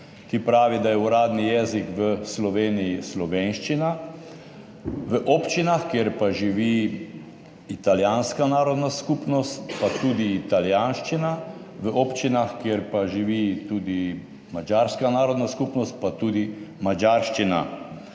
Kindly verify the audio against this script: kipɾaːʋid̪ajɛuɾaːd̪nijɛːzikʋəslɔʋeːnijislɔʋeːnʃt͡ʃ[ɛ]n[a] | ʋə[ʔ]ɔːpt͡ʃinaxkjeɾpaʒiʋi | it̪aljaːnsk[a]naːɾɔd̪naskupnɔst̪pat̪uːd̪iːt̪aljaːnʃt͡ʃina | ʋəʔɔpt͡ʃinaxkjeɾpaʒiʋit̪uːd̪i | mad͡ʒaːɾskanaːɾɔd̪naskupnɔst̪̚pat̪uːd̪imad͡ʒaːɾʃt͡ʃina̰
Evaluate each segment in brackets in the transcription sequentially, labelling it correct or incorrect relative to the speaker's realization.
incorrect, correct, correct, correct

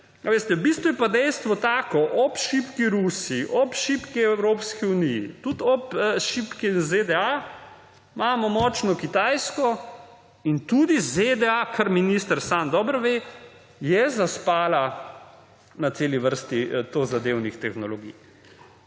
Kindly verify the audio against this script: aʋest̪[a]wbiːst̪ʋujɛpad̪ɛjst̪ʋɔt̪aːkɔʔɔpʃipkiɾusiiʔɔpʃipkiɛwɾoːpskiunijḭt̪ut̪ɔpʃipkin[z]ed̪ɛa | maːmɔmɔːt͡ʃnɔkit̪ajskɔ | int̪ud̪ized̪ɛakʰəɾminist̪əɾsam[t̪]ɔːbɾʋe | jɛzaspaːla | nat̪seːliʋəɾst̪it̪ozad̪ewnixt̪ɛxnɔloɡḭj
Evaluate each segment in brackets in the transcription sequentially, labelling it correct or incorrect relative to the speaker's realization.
incorrect, correct, incorrect

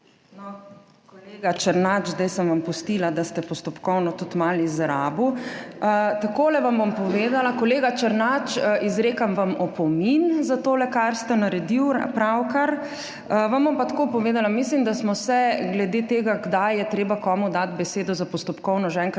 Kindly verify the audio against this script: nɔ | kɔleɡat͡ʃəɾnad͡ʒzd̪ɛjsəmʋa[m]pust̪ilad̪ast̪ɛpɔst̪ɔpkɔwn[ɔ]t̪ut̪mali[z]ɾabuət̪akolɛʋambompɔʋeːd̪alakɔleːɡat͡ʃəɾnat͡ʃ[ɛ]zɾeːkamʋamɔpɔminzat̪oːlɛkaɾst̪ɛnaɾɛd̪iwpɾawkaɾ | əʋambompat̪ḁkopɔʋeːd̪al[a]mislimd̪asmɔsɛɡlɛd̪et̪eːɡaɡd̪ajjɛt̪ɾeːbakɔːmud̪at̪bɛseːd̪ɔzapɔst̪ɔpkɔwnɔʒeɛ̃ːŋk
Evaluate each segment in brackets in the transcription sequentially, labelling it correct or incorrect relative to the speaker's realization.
correct, correct, correct, incorrect, correct

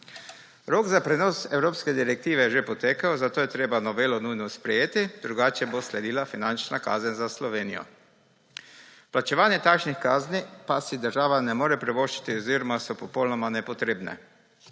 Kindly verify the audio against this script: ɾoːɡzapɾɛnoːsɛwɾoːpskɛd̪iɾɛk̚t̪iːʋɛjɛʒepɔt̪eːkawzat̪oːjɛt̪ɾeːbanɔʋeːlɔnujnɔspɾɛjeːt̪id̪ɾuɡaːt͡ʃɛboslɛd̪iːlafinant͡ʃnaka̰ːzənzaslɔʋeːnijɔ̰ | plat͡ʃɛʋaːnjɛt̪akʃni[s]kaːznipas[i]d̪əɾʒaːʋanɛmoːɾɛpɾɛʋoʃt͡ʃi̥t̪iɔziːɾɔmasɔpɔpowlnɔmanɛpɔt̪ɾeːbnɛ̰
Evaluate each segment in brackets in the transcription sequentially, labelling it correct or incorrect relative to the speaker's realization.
incorrect, correct

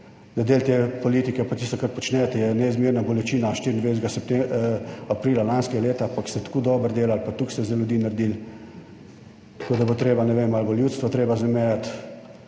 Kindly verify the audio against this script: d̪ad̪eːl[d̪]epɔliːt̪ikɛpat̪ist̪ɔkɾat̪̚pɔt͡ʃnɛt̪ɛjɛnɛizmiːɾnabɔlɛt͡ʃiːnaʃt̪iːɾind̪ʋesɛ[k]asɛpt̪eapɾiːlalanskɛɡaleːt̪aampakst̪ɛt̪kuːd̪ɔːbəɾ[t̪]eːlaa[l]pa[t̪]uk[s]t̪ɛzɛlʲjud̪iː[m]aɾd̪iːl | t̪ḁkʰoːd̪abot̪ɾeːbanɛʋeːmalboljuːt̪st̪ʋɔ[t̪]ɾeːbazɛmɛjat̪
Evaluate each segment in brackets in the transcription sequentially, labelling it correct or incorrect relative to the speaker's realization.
incorrect, incorrect, incorrect, correct, correct, correct, incorrect, correct

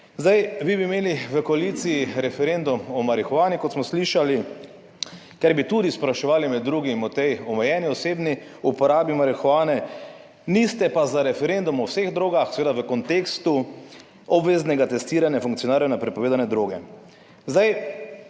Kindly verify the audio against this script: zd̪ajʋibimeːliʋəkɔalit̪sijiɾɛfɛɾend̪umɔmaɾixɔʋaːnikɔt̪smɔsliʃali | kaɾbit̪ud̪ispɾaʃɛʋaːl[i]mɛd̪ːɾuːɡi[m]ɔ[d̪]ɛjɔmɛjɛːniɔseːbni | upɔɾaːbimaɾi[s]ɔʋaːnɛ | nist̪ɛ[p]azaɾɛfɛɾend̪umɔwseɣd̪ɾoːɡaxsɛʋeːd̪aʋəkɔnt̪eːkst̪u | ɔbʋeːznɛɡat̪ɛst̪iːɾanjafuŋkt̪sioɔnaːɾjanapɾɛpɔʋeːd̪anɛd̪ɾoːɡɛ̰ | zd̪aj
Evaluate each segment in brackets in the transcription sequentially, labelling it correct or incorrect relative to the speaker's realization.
correct, correct, incorrect, incorrect, correct

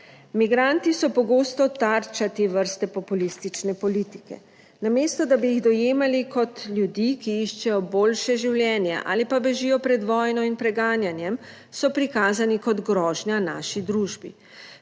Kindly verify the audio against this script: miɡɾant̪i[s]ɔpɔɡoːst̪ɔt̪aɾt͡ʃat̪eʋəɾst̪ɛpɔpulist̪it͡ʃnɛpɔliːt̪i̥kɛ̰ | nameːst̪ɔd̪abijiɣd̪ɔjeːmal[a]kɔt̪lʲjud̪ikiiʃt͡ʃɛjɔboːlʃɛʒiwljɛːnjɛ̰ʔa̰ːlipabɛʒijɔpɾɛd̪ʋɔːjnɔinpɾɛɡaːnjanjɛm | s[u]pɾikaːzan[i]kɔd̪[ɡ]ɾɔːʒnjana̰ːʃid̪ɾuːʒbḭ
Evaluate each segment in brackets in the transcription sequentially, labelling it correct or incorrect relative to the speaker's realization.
correct, incorrect, incorrect, correct, correct

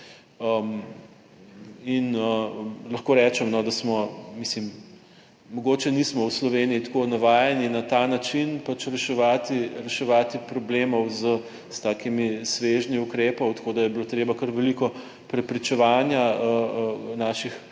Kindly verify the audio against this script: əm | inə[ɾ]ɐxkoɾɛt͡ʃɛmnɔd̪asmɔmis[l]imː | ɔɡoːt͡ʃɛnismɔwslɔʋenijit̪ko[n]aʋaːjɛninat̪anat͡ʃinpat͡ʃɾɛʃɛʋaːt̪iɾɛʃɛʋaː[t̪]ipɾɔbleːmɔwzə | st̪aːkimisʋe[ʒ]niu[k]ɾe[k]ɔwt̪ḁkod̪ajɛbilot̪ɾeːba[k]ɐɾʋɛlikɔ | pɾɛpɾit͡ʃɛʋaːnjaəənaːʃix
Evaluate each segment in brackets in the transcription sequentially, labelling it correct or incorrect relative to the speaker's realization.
incorrect, correct, correct, correct, correct, correct, incorrect, correct

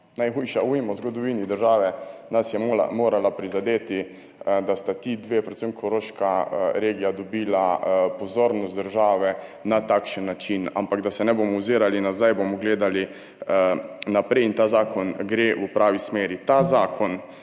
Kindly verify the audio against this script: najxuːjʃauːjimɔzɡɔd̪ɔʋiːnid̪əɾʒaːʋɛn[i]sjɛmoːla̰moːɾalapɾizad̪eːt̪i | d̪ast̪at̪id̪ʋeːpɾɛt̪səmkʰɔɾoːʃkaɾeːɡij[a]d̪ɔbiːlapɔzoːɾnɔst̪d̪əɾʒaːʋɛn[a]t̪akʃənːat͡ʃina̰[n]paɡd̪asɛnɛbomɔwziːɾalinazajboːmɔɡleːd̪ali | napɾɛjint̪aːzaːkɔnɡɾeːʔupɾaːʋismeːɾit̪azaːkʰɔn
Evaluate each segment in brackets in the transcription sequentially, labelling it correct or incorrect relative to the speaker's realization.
incorrect, correct, correct, incorrect

